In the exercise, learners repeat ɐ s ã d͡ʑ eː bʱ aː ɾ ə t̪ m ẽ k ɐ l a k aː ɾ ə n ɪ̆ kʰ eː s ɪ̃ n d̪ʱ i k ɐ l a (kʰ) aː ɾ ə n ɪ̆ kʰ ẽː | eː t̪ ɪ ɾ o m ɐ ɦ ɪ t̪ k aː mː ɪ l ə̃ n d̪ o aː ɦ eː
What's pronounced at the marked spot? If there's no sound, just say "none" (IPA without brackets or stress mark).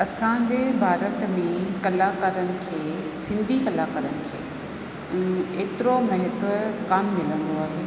k